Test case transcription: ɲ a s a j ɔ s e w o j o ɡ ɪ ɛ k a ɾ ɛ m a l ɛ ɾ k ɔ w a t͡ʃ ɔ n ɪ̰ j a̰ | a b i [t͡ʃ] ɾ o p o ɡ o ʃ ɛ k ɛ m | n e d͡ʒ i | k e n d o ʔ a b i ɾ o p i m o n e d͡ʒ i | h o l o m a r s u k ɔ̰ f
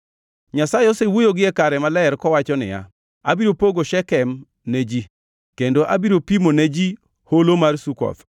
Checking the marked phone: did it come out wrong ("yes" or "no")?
yes